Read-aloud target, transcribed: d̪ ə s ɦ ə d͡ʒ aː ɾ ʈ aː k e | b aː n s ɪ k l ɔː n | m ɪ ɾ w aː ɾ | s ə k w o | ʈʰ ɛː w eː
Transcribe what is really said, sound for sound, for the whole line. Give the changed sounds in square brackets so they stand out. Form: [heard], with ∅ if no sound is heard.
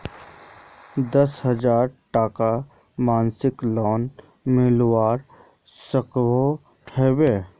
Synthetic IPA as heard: d̪ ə s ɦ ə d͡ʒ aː ɾ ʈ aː k [a] | [m] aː n s ɪ k l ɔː n | m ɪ [l] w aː ɾ | s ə k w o | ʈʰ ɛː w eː